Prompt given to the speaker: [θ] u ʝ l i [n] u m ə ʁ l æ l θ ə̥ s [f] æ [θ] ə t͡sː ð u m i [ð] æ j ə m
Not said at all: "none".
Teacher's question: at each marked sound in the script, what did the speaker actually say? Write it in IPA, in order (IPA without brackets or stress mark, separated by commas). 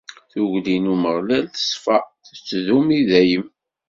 θ, n, f, θ, ð